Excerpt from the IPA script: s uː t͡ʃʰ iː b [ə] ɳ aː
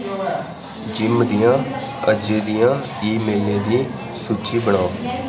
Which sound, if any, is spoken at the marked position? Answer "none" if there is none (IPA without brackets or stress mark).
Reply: ə